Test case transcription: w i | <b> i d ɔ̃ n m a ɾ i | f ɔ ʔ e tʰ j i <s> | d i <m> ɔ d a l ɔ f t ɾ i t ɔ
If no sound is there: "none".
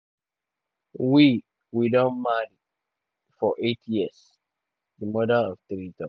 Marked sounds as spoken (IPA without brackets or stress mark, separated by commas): w, s, m